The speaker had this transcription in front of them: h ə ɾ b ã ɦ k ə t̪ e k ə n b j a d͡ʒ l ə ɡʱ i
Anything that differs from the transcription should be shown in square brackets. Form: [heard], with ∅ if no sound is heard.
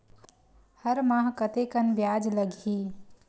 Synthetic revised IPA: h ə ɾ [m] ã ɦ k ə t̪ e k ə n b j a d͡ʒ l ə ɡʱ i